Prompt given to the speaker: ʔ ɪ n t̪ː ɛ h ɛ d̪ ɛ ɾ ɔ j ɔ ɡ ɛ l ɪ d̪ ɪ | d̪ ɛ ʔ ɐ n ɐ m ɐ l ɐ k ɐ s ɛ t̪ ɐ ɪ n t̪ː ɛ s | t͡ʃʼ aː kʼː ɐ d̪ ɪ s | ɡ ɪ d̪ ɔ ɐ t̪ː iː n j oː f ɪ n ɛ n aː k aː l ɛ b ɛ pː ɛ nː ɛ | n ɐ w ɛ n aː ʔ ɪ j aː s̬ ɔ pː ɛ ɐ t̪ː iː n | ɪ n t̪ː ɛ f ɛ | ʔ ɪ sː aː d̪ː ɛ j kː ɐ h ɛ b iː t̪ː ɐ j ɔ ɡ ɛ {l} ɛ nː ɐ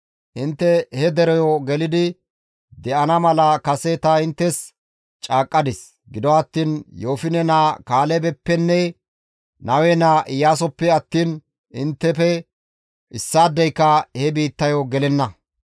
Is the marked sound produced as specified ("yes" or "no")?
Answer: yes